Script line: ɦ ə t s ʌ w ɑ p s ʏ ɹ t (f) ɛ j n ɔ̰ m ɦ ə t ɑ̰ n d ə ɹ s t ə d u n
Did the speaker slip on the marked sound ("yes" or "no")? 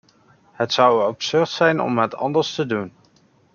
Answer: yes